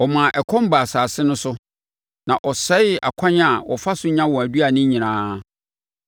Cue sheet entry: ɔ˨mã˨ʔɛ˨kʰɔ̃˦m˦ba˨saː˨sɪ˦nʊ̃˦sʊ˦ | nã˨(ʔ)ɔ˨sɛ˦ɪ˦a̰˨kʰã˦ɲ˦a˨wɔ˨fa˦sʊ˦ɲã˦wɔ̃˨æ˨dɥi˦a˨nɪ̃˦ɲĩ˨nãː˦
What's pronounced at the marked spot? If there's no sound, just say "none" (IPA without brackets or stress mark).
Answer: ʔ